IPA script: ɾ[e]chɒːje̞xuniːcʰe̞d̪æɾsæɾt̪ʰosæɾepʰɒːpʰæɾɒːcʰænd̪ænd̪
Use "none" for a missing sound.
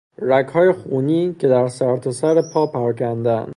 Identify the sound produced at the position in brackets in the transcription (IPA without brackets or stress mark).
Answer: æ